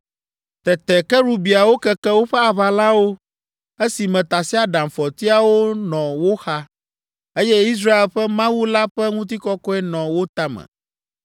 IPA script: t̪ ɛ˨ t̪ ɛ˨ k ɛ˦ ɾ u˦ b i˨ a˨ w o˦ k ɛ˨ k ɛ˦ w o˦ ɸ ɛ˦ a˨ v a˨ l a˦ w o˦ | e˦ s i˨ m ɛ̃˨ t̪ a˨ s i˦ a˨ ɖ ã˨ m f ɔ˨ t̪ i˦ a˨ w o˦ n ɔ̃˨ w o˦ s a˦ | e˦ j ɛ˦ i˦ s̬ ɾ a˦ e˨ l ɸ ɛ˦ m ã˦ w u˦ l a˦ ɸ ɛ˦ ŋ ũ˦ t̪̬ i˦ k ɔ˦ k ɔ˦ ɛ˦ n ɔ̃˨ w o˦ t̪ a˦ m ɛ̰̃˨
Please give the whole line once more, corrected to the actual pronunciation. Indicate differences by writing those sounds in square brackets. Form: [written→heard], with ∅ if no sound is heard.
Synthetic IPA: t̪ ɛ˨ t̪ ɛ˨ k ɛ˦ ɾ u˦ b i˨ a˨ w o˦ k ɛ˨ k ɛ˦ w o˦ ɸ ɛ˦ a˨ [v→β] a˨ l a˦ w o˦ | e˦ s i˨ m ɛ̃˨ t̪ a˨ s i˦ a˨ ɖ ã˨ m f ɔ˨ t̪ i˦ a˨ w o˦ n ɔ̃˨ w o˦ [s→x] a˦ | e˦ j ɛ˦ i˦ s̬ ɾ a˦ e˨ l ɸ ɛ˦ m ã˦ w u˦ l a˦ ɸ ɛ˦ ŋ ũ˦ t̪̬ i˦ k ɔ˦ k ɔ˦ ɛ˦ n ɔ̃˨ w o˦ t̪ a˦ m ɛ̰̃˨